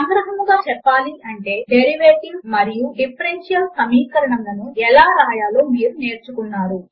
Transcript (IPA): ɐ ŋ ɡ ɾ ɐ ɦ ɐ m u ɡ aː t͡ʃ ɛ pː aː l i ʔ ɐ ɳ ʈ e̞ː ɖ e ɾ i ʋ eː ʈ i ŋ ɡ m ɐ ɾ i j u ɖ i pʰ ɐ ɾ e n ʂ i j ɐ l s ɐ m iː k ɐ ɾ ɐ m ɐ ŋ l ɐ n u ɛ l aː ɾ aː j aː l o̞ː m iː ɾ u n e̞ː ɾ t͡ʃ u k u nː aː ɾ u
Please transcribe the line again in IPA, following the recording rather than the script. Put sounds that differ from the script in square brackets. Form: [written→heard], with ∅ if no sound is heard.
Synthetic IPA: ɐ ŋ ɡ ɾ ɐ ɦ ɐ m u ɡ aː t͡ʃ ɛ pː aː l i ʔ ɐ ɳ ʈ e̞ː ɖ e ɾ i ʋ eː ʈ i ŋ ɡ m ɐ ɾ i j u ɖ i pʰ ɐ ɾ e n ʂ i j ɐ l s ɐ m iː k ɐ ɾ ɐ [m→ɳ] ɐ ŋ l ɐ n u ɛ l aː ɾ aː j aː l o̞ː m iː ɾ u n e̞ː ɾ t͡ʃ u k u nː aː ɾ u

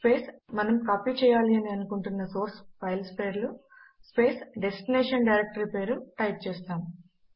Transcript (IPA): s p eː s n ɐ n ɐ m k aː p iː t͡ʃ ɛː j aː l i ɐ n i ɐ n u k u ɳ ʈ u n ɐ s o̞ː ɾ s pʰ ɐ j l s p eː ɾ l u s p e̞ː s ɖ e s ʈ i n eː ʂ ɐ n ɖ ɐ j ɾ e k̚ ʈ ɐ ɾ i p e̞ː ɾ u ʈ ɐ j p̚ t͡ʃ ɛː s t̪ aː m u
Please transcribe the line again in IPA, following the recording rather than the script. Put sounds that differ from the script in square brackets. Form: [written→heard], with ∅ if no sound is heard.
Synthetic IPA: s p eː s [n→m] ɐ n ɐ m k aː p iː t͡ʃ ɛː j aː l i ɐ n i ɐ n u k u ɳ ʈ u [n→nː] ɐ s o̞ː ɾ s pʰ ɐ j l s p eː ɾ l u s p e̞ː s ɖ e s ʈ i n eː ʂ ɐ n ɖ ɐ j ɾ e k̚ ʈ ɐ ɾ i p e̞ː ɾ u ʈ ɐ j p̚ t͡ʃ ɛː s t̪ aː m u

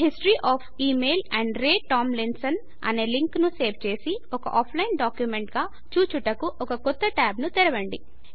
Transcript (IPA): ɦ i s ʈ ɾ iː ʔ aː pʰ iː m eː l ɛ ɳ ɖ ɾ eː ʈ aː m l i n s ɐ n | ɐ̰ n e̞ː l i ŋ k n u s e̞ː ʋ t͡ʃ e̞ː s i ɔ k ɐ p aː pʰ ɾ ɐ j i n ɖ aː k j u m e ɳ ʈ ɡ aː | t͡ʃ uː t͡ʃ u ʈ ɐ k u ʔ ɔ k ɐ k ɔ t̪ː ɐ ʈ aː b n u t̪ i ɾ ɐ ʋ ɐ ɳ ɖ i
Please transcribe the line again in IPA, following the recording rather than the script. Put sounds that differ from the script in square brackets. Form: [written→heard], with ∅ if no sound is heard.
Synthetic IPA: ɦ i s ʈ ɾ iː ʔ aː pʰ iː m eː l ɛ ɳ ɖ ɾ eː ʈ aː m l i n s ɐ n | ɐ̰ n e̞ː l i ŋ k n u s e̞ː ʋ t͡ʃ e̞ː s i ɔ k ɐ [p→ʔ] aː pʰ [ɾ→l] ɐ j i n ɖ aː k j u m e ɳ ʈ ɡ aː | t͡ʃ uː t͡ʃ u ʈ ɐ k u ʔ ɔ k ɐ k ɔ t̪ː ɐ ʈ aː b n u t̪ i ɾ ɐ ʋ ɐ ɳ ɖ i

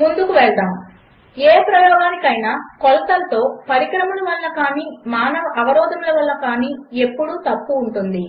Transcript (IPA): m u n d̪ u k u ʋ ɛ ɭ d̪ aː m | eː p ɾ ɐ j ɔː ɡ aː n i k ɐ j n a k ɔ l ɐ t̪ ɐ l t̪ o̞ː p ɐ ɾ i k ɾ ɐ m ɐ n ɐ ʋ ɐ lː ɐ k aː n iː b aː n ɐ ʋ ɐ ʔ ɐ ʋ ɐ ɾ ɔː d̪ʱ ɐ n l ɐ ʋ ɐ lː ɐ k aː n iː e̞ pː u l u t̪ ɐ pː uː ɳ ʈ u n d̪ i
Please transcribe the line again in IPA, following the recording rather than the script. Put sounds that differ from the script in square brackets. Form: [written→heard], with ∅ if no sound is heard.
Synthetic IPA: m u n d̪ u k u ʋ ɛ ɭ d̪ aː m | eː p ɾ ɐ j ɔː ɡ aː n i k ɐ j n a k ɔ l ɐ t̪ ɐ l t̪ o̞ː p ɐ ɾ i k ɾ ɐ m ɐ n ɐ ʋ ɐ lː ɐ k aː n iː [b→m] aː n ɐ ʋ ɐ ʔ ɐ ʋ ɐ ɾ ɔː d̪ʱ ɐ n l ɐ ʋ ɐ lː ɐ k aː n iː e̞ pː u [l→ɽ] u t̪ ɐ pː uː ɳ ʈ u n d̪ i

